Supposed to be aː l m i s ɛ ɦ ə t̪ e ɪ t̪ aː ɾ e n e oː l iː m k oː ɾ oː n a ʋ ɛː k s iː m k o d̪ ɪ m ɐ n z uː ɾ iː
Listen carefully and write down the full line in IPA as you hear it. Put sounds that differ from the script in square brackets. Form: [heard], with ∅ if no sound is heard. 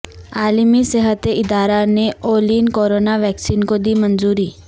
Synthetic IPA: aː l m i s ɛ ɦ ə t̪ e ɪ [d̪] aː ɾ [a] n e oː l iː [n] k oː ɾ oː n a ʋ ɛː k s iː [n] k o d̪ [i] m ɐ n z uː ɾ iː

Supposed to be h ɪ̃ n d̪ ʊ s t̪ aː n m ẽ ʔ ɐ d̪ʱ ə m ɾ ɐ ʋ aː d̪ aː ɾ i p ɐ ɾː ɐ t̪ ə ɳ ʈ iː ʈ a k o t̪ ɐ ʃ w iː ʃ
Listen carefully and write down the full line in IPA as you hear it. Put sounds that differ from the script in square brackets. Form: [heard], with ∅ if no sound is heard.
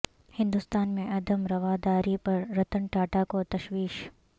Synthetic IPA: h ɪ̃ n d̪ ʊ s t̪ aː n m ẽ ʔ ɐ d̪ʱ ə m ɾ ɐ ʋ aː d̪ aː ɾ i p ɐ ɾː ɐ t̪ ə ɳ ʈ [aː] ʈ a k o t̪ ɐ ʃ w iː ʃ

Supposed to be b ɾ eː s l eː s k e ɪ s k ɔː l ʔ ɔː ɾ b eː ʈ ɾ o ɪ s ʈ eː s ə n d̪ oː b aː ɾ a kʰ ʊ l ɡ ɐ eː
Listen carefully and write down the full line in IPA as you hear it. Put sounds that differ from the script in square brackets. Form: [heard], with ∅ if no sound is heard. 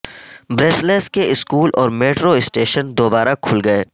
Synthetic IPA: b ɾ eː s l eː s k e ɪ s k [uː] l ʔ ɔː ɾ [m] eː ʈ ɾ o ɪ s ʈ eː [ʃ] ə n d̪ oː b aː ɾ a kʰ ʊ l ɡ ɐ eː

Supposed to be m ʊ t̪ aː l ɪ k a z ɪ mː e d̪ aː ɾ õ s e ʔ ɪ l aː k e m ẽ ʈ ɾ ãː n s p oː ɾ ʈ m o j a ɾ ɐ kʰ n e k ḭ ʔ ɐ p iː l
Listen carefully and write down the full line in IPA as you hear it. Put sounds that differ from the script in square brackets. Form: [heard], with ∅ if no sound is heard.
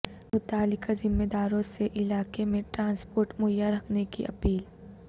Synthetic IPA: m ʊ t̪ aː l ɪ k a z ɪ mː e d̪ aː ɾ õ s e ʔ ɪ l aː k e m ẽ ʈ ɾ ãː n s p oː ɾ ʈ m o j a ɾ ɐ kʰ n e k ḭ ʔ ɐ p iː l

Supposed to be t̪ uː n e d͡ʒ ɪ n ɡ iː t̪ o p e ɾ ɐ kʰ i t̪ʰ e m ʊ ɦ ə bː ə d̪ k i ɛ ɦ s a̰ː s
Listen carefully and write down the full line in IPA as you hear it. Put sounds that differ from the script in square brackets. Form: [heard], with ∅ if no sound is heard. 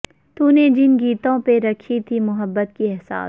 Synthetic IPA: t̪ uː n e d͡ʒ ɪ n ɡ iː t̪ [õ] p e ɾ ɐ kʰ i t̪ʰ [i] m ʊ ɦ ə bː ə [t̪] k i ɛ ɦ s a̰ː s

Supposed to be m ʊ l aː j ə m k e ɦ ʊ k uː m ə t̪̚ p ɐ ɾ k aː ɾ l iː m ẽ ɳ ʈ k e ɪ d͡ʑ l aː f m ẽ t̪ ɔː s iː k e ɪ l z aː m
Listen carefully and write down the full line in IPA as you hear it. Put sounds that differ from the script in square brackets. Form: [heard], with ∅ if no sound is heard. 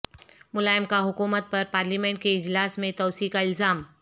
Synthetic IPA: m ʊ l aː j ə m k [a] ɦ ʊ k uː m ə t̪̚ p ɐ ɾ [p] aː ɾ l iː m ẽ ɳ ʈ k e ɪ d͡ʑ l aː [s] m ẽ t̪ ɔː s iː k [a] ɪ l z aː m

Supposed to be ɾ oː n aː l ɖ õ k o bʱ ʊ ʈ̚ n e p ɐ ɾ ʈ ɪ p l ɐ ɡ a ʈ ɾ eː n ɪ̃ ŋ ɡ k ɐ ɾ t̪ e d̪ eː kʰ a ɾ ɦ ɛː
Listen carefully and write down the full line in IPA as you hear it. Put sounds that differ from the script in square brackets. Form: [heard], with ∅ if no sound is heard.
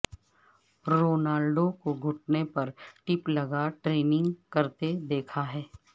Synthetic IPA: ɾ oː n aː l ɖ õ k o [ɡʱ] ʊ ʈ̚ n e p ɐ ɾ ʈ ɪ p l ɐ ɡ a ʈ ɾ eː n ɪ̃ ŋ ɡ k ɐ ɾ t̪ e d̪ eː kʰ a [∅] ɦ ɛː

